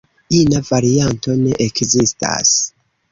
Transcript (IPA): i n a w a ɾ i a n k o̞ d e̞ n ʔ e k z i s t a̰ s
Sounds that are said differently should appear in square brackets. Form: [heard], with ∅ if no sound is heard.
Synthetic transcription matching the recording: i n a [v] a ɾ i a n [t] o̞ [n] e̞ [∅] ʔ e k z i s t a̰ s